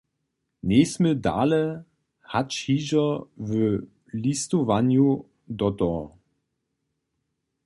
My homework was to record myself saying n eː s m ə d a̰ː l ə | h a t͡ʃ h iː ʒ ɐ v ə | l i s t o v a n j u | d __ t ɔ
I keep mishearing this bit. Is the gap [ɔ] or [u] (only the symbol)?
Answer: ɔ